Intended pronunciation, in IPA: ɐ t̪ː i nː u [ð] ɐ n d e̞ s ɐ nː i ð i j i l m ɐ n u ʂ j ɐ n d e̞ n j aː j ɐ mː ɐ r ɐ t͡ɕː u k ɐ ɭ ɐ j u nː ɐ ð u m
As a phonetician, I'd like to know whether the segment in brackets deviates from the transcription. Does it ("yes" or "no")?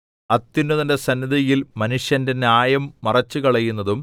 no